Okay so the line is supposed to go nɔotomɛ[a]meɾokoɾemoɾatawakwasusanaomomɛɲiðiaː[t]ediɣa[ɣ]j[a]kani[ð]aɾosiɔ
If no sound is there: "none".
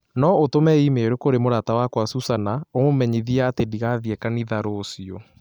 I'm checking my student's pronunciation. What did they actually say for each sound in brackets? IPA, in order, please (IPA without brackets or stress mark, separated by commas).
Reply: i, t, ð, ɛ, ð